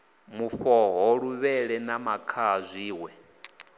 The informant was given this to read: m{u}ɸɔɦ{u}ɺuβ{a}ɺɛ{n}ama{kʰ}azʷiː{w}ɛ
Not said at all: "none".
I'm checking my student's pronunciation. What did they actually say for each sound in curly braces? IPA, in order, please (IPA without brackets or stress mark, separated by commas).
u, ɔ, ɛ, n, kʰ, w